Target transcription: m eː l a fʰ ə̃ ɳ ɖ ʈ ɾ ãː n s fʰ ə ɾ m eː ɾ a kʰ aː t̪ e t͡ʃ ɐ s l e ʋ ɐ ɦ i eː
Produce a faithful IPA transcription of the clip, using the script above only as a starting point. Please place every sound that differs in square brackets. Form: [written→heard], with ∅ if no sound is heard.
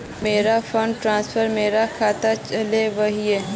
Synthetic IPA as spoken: m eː [l→ɾ] a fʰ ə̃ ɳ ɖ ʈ ɾ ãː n s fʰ ə ɾ m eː ɾ a kʰ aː t̪ [e→a] t͡ʃ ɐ [s→∅] l e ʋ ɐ ɦ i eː